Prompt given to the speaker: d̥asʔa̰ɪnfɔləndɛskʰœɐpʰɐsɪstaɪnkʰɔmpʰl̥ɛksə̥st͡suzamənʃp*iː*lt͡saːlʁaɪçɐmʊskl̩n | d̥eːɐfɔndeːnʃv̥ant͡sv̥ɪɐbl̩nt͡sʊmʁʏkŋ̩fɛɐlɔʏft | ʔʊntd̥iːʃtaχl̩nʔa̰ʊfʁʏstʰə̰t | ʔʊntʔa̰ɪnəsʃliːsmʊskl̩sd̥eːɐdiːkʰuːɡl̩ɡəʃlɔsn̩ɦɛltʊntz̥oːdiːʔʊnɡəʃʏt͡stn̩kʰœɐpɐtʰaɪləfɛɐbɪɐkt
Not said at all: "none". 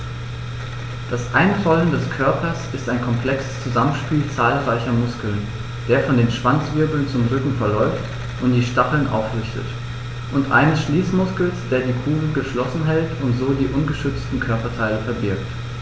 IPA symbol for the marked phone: iː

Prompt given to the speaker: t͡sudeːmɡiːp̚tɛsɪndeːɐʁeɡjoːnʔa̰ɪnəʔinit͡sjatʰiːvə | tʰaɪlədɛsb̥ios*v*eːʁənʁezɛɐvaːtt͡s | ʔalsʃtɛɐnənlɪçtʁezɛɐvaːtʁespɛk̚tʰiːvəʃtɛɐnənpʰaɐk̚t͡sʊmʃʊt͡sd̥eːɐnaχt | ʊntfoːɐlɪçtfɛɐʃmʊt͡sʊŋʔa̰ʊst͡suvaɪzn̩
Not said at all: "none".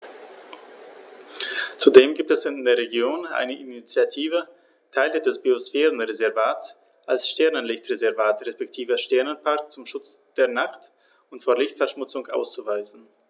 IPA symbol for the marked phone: f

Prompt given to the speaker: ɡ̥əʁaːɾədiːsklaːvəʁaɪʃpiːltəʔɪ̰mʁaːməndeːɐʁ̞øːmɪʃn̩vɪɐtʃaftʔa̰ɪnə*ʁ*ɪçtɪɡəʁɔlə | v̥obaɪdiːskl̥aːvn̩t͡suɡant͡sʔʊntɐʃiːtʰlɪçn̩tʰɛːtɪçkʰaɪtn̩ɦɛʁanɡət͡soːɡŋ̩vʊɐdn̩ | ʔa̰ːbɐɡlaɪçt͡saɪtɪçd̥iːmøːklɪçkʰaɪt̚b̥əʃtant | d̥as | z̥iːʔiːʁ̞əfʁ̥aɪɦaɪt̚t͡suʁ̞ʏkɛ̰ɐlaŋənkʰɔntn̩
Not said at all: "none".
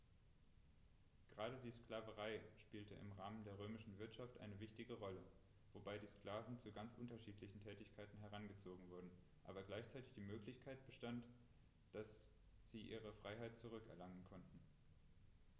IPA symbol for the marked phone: v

